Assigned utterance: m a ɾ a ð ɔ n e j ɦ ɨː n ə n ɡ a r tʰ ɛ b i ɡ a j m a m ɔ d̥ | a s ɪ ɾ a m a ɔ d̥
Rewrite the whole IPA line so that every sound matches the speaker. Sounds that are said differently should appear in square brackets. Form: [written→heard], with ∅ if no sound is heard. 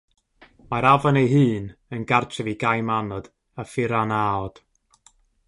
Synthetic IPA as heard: m a ɾ a [ð→v] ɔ n e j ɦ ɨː n ə n ɡ a r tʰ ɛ [b→v] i ɡ a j m a [m→n] ɔ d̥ | a [s→f] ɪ ɾ a [m→n] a ɔ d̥